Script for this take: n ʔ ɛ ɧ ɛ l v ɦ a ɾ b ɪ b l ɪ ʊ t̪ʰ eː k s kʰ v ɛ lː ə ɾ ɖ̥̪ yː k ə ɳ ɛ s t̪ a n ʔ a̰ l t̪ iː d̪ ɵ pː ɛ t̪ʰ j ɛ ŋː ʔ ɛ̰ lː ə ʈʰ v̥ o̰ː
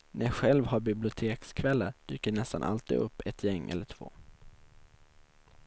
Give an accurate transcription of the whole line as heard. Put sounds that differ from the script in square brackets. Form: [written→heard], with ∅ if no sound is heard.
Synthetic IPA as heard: n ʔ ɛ ɧ ɛ l v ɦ a ɾ b ɪ b l ɪ ʊ t̪ʰ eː k s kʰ v ɛ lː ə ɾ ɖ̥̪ yː k ə ɳ ɛ s t̪ a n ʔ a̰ l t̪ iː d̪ ɵ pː ɛ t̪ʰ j ɛ ŋː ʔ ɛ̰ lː ə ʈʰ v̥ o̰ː

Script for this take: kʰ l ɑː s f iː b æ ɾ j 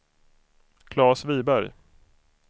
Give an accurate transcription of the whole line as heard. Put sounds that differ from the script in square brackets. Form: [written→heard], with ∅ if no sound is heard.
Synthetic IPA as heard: kʰ l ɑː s [f→v] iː b æ ɾ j

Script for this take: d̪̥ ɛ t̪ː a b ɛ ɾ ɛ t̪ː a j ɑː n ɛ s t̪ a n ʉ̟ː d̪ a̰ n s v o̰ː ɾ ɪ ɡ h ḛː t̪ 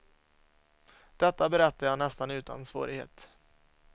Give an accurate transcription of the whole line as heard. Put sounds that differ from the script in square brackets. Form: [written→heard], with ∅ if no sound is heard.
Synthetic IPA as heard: d̪̥ ɛ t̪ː a b ɛ ɾ ɛ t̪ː a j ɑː n ɛ s t̪ a n ʉ̟ː [d̪→t̪] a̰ n s v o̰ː ɾ ɪ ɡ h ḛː t̪

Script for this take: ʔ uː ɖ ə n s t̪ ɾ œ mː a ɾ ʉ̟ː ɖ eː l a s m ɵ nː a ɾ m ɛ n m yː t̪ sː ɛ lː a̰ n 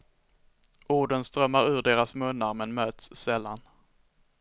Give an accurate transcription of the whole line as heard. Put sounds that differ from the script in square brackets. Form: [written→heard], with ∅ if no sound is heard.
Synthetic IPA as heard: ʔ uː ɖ ə n s t̪ ɾ œ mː a ɾ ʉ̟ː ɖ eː [l→ɾ] a s m ɵ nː a ɾ m ɛ n m [yː→øː] t̪ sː ɛ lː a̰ n

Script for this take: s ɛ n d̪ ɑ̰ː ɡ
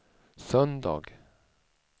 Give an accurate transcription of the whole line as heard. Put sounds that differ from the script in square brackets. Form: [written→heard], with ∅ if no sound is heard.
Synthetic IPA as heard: s [ɛ→œ] n d̪ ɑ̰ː ɡ

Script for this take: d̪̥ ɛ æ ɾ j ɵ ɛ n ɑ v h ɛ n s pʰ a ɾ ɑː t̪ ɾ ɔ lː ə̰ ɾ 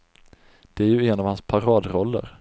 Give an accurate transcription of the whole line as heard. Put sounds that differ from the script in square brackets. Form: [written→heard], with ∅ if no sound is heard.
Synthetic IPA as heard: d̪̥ ɛ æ ɾ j ɵ ɛ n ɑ v h [ɛ→a] n s pʰ a ɾ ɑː [t̪→d̪] ɾ ɔ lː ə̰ ɾ

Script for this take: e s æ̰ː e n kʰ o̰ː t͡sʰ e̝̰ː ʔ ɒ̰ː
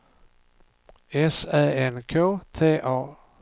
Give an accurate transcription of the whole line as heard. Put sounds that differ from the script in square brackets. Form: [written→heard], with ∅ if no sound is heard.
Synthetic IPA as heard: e s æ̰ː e n kʰ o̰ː t͡sʰ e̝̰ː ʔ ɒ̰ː

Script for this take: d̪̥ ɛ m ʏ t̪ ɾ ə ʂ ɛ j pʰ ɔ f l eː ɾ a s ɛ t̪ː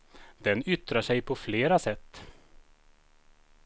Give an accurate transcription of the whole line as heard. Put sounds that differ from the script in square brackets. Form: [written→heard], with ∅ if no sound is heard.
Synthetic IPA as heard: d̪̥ ɛ [m→n] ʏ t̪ ɾ [ə→a] ʂ ɛ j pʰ ɔ f l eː ɾ a s ɛ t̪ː

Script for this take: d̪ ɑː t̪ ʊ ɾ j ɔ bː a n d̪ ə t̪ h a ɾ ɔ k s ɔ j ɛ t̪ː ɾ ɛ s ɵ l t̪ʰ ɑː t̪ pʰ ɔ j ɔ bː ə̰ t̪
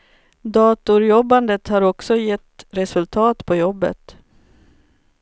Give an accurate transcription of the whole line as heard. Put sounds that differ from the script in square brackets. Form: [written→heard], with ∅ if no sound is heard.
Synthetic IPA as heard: d̪ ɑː t̪ ʊ ɾ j ɔ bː a n d̪ ə t̪ h a ɾ ɔ k s ɔ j ɛ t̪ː ɾ ɛ s ɵ l t̪ʰ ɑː t̪ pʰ ɔ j ɔ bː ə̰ t̪

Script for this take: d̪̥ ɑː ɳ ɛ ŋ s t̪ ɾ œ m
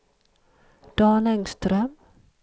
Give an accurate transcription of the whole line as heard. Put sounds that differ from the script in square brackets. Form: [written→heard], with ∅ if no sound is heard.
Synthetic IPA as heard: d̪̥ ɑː [ɳ→n] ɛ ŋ s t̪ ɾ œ m

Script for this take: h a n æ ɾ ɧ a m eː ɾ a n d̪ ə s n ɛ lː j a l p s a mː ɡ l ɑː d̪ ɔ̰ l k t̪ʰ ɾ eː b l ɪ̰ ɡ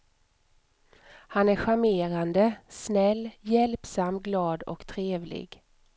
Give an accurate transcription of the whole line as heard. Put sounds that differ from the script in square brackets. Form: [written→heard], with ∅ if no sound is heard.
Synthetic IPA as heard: h a n æ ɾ ɧ a m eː ɾ a n d̪ ə s n ɛ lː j [a→ɛ] l p s a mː ɡ l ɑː d̪ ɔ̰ [l→∅] k t̪ʰ ɾ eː [b→v] l ɪ̰ ɡ

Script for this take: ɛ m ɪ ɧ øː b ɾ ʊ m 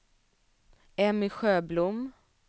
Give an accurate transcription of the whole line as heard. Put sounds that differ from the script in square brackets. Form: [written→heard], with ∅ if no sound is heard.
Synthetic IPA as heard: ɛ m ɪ ɧ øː b [ɾ→l] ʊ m

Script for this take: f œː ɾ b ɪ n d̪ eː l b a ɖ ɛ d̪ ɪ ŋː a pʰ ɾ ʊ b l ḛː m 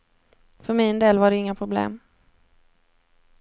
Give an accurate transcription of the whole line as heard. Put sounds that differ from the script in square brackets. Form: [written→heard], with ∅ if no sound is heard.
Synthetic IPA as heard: f [œː→œ] ɾ [b→m] ɪ n d̪ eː l [b→v] a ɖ ɛ [d̪→∅] ɪ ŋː a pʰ ɾ ʊ b l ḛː m

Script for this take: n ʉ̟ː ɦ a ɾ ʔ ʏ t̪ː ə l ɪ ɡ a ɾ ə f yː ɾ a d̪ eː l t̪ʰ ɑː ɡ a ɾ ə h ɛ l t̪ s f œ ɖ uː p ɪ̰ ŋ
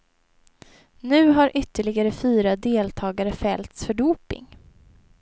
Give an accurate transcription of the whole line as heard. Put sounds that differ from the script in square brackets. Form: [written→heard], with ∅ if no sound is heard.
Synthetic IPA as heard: n ʉ̟ː ɦ a ɾ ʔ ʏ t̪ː ə [l→ɭ] ɪ ɡ a ɾ ə f yː ɾ a d̪ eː l t̪ʰ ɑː ɡ a ɾ ə [h→f] ɛ l t̪ s f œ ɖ uː p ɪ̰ ŋ

